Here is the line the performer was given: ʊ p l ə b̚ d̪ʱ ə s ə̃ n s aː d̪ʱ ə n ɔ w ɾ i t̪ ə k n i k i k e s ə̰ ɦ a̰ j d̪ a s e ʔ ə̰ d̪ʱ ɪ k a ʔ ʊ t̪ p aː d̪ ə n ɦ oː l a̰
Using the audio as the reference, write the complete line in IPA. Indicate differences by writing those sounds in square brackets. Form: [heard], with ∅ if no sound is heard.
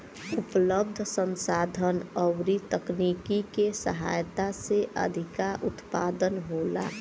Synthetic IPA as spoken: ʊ p l ə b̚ d̪ʱ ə s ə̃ n s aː d̪ʱ ə n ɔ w ɾ i t̪ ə k n i k i k e s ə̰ ɦ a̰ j [t̪] a s e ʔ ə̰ d̪ʱ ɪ k a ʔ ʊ t̪ p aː d̪ ə n ɦ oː l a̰